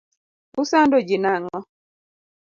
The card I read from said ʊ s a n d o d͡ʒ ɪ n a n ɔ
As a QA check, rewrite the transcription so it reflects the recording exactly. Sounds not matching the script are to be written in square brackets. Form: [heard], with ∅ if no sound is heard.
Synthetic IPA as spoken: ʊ s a n d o d͡ʒ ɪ n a [ŋ] ɔ